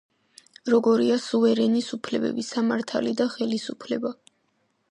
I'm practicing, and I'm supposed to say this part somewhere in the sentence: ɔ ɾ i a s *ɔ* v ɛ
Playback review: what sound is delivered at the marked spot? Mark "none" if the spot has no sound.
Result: u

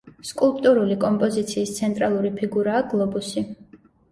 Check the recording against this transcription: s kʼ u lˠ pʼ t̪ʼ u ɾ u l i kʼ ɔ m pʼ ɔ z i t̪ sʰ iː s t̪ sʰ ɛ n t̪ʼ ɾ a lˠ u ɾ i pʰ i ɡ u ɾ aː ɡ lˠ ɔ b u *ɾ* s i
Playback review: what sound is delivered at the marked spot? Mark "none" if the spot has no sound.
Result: none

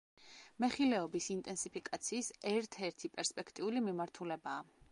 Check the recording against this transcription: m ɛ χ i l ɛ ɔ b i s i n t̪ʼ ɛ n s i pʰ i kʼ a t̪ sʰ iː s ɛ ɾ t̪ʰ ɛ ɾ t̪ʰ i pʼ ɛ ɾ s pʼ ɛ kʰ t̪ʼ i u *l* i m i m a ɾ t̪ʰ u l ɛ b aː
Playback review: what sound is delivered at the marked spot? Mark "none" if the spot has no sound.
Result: l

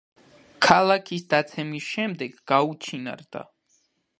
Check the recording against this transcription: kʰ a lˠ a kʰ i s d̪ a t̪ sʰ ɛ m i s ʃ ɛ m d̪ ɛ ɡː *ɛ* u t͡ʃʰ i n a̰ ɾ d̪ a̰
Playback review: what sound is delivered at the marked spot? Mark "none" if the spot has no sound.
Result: a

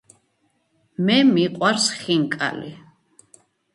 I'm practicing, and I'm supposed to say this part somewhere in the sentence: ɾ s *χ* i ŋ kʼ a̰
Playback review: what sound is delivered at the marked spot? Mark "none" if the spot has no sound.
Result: χ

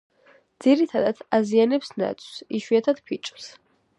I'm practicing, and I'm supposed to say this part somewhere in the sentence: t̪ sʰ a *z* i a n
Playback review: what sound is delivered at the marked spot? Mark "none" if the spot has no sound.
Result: z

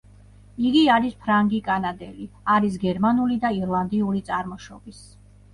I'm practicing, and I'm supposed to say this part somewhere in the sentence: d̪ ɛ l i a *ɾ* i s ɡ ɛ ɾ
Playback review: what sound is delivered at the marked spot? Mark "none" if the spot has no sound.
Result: ɾ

